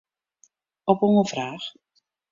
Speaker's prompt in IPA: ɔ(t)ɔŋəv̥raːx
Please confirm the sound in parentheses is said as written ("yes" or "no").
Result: no